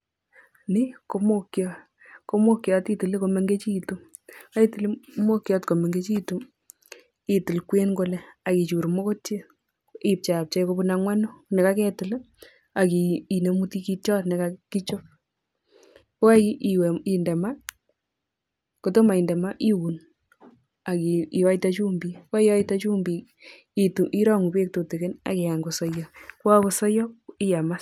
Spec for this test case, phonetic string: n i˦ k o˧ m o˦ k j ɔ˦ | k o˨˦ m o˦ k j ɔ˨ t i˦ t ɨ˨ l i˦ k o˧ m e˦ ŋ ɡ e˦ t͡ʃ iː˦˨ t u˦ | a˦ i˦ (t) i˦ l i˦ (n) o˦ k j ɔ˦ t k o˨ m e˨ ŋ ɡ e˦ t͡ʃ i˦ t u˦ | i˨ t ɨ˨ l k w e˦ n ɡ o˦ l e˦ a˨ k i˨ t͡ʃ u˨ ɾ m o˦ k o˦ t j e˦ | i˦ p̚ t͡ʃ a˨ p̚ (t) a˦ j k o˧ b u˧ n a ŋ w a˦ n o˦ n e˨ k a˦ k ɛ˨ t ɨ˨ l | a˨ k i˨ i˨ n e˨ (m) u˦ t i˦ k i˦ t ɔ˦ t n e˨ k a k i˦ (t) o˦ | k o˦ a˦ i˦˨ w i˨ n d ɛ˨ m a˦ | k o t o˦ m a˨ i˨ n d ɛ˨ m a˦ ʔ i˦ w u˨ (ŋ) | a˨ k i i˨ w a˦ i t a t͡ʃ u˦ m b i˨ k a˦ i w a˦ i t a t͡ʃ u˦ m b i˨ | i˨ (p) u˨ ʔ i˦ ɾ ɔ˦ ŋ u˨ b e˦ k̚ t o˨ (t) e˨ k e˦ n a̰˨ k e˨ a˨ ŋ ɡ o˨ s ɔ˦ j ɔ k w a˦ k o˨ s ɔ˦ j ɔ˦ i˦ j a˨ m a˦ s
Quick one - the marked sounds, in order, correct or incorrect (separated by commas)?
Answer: correct, incorrect, incorrect, correct, incorrect, incorrect, incorrect, correct